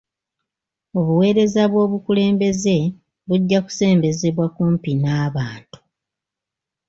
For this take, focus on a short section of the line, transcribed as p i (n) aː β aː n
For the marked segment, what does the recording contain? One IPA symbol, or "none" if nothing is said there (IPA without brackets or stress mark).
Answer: n